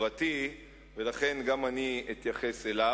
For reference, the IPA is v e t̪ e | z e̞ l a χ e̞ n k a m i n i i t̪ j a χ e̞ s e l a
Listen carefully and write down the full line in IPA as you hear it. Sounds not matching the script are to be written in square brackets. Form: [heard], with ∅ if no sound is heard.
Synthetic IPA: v [a] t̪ [i] | [v] e̞ l a χ e̞ n [ɡ] a m [a] n i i t̪ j a χ e̞ s e l a